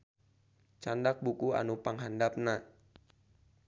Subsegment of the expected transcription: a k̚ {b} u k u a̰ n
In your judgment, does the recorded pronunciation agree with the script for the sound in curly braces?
yes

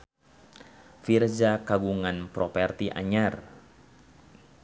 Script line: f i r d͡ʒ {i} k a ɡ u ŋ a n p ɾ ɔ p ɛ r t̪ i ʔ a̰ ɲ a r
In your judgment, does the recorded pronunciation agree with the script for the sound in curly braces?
no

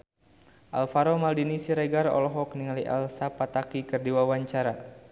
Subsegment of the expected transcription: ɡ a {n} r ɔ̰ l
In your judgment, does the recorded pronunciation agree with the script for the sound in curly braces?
no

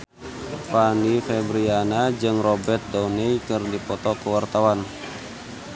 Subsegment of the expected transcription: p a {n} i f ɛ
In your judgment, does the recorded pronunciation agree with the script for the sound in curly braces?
yes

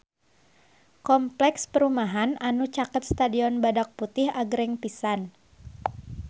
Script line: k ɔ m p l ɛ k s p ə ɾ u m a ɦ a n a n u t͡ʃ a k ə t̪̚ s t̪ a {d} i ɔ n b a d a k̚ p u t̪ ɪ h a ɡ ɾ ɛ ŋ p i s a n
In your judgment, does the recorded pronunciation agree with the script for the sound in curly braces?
yes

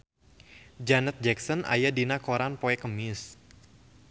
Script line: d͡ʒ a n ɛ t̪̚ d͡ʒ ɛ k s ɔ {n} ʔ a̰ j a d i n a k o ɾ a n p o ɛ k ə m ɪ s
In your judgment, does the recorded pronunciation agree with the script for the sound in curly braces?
yes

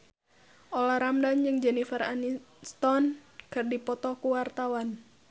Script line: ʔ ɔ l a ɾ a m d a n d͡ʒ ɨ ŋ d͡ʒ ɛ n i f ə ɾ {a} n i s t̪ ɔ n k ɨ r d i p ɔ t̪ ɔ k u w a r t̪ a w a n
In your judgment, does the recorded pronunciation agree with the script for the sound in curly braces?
yes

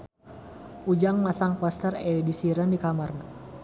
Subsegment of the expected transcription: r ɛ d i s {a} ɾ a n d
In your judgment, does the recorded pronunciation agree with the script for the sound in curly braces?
no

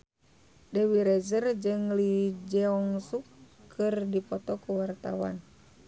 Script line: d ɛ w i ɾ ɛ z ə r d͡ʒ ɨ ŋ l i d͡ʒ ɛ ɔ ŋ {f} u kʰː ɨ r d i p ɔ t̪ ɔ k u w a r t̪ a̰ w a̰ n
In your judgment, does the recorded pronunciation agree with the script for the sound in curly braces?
no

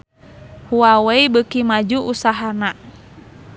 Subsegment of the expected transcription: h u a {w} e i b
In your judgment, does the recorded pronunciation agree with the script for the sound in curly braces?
yes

